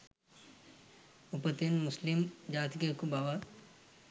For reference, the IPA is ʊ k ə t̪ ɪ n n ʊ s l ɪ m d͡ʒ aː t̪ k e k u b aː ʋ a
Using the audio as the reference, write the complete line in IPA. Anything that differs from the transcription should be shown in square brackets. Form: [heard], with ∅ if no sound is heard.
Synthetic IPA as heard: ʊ [p] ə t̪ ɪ n [m] ʊ s l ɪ m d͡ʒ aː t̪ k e k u b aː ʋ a